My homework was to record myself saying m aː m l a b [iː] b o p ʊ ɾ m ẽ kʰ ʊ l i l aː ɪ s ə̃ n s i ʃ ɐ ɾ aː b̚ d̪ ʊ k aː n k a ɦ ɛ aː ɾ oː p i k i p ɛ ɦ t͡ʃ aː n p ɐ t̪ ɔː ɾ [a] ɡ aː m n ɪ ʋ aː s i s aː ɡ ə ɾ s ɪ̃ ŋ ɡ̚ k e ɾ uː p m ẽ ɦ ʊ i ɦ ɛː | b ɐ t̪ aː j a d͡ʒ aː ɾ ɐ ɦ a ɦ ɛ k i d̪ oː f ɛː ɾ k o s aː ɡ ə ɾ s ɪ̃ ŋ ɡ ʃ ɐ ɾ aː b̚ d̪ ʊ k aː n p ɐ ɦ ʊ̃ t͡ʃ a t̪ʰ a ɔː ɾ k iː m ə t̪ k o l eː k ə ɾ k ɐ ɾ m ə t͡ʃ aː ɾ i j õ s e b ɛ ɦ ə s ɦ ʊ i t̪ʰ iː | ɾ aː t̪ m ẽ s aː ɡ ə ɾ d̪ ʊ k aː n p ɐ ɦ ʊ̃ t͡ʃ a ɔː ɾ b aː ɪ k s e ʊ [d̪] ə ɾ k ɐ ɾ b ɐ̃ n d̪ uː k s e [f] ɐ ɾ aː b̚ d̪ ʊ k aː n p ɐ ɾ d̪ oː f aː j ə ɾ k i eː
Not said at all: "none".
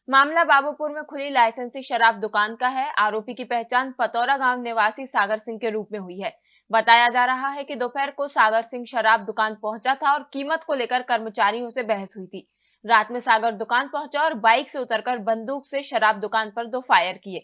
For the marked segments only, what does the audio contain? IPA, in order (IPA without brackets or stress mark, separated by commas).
aː, a, t̪, ʃ